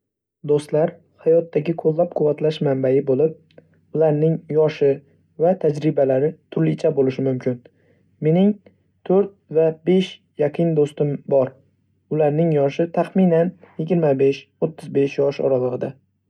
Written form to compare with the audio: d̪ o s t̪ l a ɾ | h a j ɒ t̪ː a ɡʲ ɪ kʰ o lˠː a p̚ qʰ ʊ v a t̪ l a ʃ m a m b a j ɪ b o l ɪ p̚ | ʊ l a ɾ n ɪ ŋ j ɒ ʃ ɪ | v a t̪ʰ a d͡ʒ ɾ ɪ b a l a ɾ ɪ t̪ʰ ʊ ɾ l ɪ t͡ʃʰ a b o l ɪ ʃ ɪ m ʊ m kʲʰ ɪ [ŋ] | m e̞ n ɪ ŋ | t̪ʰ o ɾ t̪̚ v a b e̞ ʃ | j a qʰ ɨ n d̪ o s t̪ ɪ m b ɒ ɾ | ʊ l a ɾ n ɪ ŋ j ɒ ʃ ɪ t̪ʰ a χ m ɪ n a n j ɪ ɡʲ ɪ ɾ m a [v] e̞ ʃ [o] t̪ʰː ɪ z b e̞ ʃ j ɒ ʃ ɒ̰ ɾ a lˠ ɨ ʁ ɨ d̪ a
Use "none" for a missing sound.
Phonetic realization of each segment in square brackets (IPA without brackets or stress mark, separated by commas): n, b, o